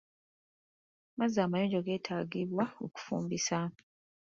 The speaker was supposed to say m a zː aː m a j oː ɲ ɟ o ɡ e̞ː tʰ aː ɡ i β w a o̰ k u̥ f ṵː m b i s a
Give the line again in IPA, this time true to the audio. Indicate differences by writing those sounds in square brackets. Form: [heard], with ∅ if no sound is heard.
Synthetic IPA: m a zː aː m a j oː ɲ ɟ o ɡ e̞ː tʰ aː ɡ i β w a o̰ k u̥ f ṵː m b i s a